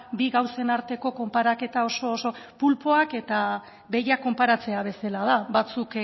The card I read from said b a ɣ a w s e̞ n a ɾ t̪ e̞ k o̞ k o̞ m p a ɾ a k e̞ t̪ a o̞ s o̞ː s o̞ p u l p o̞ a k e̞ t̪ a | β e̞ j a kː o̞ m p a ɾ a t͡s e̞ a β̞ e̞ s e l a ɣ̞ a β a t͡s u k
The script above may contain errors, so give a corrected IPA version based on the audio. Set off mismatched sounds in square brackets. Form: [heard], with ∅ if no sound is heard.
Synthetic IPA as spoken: b [i] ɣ a w s e̞ n a ɾ t̪ e̞ k o̞ k o̞ m p a ɾ a k e̞ t̪ a o̞ s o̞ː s o̞ p u l p o̞ a k e̞ t̪ a | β e̞ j a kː o̞ m p a ɾ a t͡s e̞ a β̞ e̞ s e l a [ð̞] a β a t͡s u k